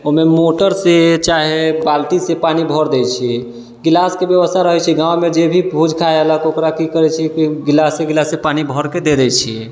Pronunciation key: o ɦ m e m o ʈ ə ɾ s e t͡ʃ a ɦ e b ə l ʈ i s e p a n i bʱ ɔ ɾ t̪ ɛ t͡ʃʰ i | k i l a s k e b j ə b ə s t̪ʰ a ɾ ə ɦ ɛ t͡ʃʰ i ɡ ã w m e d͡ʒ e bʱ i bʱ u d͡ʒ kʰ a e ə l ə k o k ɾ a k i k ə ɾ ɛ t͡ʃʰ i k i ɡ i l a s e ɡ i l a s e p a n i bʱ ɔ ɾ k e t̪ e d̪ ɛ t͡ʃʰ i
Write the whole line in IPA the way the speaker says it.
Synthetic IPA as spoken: o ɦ m e m o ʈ ə ɾ s e t͡ʃ a ɦ e b a l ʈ i s e p a n i bʱ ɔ ɾ d̪ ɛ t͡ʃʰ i | ɡ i l a s k e b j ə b ə s t̪ʰ a ɾ ə ɦ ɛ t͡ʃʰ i ɡ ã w m e d͡ʒ e bʱ i bʱ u d͡ʒ kʰ a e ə l ə k o k ɾ a k i k ə ɾ ɛ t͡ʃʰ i k i ɡ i l a s e ɡ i l a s e p a n i bʱ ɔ ɾ k e d̪ e d̪ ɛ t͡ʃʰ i